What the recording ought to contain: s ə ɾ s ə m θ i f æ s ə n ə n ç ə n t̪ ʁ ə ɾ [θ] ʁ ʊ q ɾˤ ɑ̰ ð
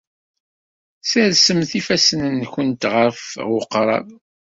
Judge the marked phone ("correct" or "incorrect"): incorrect